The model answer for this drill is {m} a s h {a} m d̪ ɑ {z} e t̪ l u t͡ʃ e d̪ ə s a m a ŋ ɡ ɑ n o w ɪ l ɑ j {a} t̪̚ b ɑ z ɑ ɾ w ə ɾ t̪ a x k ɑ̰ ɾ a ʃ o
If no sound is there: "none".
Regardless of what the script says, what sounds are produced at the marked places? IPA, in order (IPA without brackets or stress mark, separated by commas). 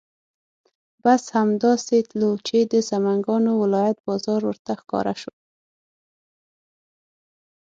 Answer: b, a, s, a